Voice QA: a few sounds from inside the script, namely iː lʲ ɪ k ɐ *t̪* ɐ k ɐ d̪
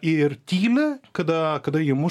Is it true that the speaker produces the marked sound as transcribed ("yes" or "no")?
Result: no